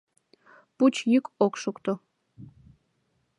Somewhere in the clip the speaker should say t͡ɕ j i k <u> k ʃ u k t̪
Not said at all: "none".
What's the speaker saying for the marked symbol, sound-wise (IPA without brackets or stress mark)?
o